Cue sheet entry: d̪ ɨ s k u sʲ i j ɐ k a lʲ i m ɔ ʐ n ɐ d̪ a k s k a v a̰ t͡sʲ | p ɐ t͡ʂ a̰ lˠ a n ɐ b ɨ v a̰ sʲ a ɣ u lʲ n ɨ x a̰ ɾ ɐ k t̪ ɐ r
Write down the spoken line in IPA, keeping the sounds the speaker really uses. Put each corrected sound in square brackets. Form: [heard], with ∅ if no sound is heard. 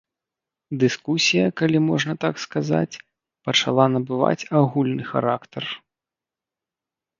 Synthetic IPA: d̪ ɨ s k u sʲ i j ɐ k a lʲ i m ɔ ʐ n ɐ [t̪] a k s k a [z] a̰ t͡sʲ | p ɐ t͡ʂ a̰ lˠ a n ɐ b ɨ v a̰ [t͡sʲ] a ɣ u lʲ n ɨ x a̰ ɾ [a] k t̪ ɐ r